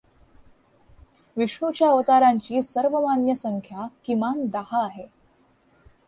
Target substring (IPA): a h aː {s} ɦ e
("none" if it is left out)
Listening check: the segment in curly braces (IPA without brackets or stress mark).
none